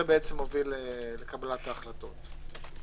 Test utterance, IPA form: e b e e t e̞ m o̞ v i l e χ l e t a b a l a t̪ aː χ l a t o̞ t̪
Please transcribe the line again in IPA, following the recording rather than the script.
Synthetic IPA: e b e e t͡s e̞ m o̞ v i l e l e k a b a l a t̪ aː χ l a t o̞ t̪